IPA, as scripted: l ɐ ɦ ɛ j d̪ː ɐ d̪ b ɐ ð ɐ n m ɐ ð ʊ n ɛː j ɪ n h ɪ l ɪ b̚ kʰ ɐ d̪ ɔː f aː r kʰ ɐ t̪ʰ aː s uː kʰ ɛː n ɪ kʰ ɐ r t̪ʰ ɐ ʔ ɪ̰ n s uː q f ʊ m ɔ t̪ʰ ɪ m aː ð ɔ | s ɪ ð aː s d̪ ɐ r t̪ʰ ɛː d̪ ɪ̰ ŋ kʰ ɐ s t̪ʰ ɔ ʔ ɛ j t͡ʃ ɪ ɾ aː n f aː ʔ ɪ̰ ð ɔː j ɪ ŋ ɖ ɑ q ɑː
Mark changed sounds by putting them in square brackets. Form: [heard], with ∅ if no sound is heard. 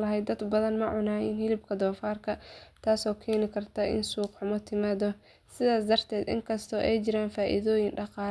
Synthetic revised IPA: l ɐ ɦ ɛ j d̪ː ɐ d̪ b ɐ ð ɐ n m ɐ [ʕ] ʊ n [aː] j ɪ n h ɪ l ɪ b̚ kʰ ɐ d̪ ɔː f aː r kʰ ɐ t̪ʰ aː s [ɔː] kʰ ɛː n ɪ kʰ ɐ r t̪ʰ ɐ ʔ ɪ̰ n s uː q [ħ] ʊ m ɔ t̪ʰ ɪ m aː ð ɔ | s ɪ ð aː s d̪ ɐ r t̪ʰ ɛː d̪ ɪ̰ ŋ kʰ ɐ s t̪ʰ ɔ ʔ ɛ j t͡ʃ ɪ ɾ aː n f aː ʔ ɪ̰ ð ɔː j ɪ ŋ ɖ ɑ q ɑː